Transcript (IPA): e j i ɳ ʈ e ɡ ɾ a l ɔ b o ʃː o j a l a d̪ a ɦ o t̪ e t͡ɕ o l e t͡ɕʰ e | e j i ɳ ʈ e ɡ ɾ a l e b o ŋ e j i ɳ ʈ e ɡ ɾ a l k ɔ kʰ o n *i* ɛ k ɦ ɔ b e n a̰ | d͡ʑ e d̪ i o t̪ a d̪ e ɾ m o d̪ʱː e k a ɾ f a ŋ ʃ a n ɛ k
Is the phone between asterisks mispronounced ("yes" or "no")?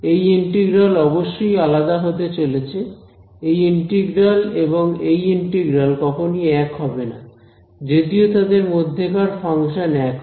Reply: no